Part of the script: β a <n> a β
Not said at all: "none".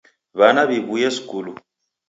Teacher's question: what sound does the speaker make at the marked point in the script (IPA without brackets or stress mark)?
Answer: n